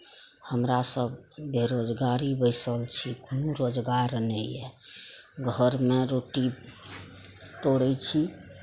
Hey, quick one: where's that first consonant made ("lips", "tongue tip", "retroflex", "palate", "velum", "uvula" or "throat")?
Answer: throat